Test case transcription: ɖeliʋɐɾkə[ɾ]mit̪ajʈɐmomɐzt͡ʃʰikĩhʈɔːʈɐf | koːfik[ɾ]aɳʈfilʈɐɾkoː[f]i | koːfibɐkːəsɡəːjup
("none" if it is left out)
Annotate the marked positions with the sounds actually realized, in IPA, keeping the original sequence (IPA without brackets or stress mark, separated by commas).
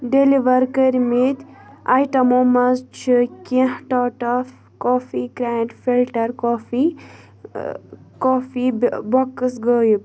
ɾ, ɾ, f